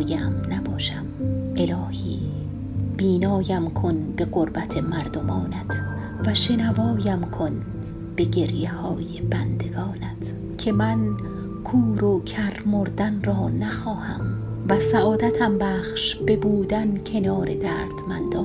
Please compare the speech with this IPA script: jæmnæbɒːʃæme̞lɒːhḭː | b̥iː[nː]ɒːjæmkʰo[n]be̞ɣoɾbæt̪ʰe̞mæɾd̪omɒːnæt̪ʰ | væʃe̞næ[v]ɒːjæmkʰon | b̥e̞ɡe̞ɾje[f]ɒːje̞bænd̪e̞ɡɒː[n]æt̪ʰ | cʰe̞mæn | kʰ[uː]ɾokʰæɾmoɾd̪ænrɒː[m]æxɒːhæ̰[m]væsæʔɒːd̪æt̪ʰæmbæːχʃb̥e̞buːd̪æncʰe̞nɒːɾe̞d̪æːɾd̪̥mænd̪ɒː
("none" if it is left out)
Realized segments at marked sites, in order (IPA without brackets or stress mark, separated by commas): n, n, v, h, n, uː, n, m